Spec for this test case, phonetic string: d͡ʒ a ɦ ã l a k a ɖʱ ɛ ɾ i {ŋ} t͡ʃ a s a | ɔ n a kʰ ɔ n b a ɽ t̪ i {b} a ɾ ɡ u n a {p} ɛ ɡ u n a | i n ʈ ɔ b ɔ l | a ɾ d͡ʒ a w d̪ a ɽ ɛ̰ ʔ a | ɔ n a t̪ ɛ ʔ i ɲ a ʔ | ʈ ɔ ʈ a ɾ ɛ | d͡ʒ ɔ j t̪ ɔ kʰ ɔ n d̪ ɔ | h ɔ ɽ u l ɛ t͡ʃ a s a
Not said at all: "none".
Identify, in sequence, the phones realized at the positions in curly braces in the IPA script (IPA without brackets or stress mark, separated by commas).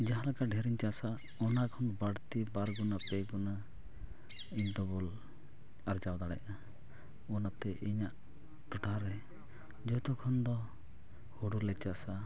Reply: ɲ, b, p